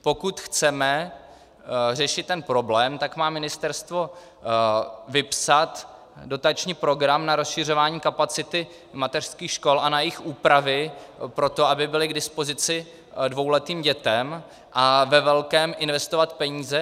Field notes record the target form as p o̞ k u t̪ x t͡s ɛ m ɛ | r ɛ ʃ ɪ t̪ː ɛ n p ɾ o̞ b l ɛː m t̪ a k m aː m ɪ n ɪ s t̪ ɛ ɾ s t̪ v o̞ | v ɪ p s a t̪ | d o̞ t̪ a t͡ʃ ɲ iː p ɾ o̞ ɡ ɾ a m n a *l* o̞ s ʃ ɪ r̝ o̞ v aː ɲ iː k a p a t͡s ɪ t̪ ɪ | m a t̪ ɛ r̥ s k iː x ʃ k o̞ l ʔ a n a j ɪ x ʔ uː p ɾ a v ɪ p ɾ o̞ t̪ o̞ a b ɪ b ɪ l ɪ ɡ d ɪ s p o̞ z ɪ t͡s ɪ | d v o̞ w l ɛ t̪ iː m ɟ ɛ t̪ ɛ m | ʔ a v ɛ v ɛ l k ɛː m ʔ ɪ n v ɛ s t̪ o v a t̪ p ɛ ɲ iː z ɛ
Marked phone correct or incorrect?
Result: incorrect